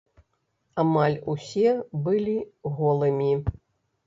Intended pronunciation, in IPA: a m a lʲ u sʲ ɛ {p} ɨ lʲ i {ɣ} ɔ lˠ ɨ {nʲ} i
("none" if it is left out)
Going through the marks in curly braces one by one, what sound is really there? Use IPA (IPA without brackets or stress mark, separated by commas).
b, ɣ, mʲ